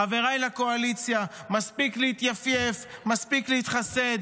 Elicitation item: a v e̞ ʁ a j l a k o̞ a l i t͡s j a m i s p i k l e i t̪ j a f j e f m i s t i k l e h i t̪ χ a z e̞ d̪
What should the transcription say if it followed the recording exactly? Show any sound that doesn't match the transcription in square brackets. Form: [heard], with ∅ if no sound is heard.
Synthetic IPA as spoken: a v e̞ ʁ a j l a k o̞ a l i t͡s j a m [a] s p i k l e i t̪ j a f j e f m [a] s [p] i k l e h i t̪ χ a [s] e̞ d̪